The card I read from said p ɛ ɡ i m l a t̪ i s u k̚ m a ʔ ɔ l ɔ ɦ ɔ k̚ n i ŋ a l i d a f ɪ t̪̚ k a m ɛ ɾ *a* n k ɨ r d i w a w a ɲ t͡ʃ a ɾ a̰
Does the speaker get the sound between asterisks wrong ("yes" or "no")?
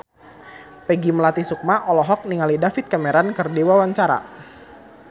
no